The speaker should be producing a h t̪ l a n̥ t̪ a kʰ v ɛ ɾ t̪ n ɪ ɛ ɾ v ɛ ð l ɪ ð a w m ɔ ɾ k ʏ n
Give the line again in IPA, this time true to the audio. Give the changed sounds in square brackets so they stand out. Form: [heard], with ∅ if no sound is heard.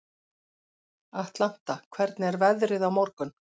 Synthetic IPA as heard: a h t̪ l a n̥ t̪ a kʰ v ɛ ɾ t̪ n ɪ ɛ ɾ v ɛ ð [ɾ] ɪ ð a w m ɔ ɾ k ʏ n